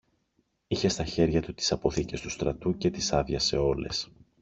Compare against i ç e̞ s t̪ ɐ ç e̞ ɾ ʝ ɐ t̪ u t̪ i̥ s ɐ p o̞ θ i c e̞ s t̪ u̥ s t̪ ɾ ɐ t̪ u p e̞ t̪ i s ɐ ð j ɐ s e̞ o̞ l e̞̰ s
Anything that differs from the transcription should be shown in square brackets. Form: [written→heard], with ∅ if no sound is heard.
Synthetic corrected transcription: i ç e̞ s t̪ ɐ ç e̞ ɾ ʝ ɐ t̪ u t̪ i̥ s ɐ p o̞ θ i c e̞ s t̪ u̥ s t̪ ɾ ɐ t̪ u [p→c] e̞ t̪ i s ɐ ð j ɐ s e̞ o̞ l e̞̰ s